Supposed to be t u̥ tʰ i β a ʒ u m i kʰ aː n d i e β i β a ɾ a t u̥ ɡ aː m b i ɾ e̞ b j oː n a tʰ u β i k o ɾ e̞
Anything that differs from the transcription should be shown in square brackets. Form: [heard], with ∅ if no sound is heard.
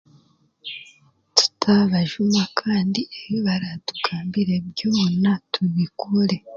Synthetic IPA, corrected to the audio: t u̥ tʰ [a] β a ʒ u m [a] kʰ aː n d i e β i β a ɾ a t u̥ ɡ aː m b i ɾ e̞ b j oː n a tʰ u β i k [u] ɾ e̞

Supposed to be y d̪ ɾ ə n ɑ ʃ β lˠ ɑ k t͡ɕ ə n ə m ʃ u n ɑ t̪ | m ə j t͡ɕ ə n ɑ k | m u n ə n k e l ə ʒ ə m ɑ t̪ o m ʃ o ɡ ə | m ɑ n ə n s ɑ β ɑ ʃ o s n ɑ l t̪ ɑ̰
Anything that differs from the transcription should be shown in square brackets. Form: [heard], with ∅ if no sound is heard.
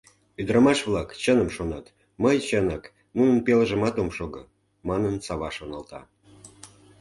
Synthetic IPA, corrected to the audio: y d̪ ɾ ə [m] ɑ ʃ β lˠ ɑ k t͡ɕ ə n ə m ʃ [o] n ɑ t̪ | m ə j t͡ɕ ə n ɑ k | [n] u n ə n [p] e l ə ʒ ə m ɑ t̪ o m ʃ o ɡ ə | m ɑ n ə n s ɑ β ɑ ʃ o [∅] n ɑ l t̪ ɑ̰

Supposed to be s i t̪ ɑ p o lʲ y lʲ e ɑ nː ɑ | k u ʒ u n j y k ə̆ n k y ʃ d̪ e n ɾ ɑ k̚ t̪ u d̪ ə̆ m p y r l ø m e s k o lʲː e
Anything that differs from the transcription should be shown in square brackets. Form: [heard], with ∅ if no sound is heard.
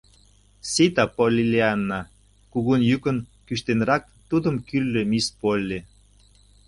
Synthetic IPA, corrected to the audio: s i t̪ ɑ p o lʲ [i] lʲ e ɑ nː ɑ | k u [ɣ] u n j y k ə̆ n k y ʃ [t̪] e n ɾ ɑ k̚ t̪ u d̪ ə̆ m [k] y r l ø m [i] s [p] o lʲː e

